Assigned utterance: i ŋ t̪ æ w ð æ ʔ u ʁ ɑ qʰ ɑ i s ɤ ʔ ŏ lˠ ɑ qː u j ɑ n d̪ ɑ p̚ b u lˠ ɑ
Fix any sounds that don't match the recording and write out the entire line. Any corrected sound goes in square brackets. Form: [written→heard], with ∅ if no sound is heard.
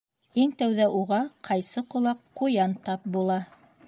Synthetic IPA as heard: i ŋ t̪ æ w ð æ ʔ u ʁ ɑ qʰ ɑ [i→j] s ɤ [ʔ→q] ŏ lˠ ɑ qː u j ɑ n [d̪→t̪] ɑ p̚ b u lˠ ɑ